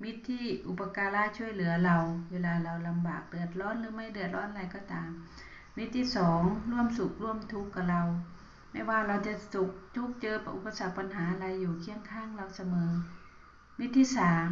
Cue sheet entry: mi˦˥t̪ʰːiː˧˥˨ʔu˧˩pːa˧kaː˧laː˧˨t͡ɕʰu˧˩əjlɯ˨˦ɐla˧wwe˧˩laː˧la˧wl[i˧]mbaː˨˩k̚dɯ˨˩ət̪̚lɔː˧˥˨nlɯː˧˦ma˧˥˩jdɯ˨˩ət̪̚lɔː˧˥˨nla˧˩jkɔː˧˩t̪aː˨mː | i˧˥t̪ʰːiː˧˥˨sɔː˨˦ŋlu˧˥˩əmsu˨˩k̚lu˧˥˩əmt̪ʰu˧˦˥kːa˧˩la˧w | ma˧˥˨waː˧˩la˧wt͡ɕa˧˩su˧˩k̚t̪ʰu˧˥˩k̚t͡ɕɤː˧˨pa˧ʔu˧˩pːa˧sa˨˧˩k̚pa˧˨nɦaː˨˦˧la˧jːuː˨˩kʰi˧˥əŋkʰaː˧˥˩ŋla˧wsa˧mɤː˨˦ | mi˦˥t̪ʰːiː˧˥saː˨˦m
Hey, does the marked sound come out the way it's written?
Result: no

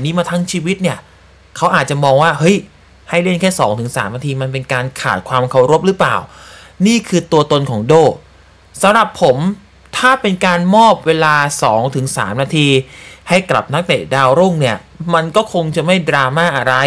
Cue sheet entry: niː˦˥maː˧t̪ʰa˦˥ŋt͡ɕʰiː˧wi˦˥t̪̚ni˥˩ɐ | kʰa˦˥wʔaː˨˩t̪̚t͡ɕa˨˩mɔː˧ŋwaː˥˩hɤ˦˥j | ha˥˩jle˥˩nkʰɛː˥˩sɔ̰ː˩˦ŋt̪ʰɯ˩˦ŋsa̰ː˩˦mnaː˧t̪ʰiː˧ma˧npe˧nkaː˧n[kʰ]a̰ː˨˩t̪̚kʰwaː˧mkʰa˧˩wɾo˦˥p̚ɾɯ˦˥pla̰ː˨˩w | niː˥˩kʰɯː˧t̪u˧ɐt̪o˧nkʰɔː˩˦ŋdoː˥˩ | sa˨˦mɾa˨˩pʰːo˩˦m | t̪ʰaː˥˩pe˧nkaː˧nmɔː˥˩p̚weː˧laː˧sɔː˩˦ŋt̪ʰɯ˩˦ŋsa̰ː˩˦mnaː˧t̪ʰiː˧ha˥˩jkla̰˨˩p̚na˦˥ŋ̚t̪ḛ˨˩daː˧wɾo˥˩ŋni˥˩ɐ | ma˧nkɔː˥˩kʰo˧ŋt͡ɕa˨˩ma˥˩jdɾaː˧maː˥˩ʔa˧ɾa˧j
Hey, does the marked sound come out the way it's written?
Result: yes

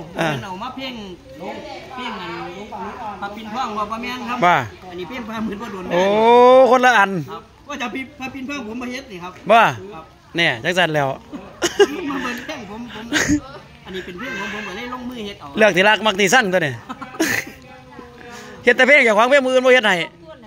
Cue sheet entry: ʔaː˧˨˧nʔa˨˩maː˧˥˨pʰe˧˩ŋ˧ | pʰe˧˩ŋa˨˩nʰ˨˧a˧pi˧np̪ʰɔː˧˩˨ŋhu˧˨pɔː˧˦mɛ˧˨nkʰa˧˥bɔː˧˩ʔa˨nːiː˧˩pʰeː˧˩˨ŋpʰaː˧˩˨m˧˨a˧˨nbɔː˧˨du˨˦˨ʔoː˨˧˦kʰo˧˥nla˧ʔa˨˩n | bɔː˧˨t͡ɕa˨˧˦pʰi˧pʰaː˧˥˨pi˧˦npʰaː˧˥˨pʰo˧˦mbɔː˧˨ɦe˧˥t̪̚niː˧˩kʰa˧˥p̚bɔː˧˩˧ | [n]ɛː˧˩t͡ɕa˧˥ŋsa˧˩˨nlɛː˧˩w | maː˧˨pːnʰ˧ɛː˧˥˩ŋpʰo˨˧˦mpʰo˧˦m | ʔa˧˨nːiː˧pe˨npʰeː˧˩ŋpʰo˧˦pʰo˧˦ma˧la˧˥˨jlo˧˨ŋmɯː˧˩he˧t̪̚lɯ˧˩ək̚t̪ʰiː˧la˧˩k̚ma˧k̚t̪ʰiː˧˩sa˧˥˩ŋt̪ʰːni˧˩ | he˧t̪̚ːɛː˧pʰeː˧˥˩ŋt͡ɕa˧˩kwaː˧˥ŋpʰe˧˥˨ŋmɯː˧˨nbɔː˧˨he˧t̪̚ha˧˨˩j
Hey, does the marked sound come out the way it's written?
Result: yes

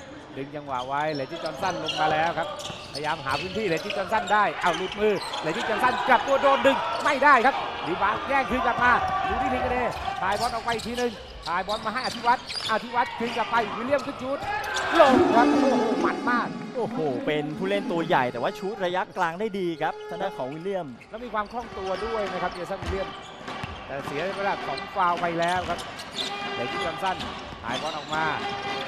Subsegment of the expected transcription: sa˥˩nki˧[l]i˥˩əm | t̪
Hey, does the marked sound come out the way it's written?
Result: yes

